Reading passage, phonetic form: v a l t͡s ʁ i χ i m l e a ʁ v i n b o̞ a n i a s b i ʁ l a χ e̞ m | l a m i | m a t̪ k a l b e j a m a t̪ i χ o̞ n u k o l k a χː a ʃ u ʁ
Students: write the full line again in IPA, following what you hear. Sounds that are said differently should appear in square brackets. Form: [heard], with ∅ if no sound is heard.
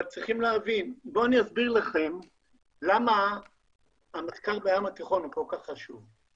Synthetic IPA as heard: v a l t͡s ʁ i χ i m l e a [∅] v i n b o̞ a n i a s b i ʁ l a χ e̞ m | l a m [a] | m a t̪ k a l b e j a m a t̪ i χ o̞ n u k o l k a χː a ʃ u [v]